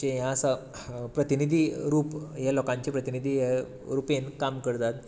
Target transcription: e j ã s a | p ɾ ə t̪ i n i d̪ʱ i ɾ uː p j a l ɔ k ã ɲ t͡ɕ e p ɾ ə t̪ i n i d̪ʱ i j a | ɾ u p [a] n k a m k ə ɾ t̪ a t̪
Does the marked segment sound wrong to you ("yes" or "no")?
yes